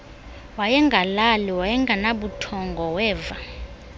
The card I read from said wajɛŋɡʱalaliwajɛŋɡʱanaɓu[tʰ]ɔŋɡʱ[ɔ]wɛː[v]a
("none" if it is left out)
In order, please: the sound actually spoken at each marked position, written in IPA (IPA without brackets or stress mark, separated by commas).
tʰ, ɔ, v